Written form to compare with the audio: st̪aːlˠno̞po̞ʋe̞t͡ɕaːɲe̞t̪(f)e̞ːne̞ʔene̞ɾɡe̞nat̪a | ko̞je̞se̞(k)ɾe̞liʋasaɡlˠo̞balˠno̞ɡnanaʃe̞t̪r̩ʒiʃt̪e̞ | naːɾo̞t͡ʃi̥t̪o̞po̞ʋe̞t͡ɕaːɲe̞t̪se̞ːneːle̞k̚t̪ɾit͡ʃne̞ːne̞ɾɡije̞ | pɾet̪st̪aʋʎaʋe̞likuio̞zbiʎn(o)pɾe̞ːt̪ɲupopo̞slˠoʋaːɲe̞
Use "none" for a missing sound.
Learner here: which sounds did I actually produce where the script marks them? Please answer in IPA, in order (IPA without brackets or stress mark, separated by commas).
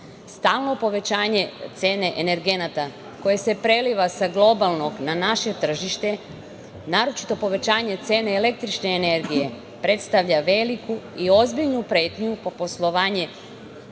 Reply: s, p, u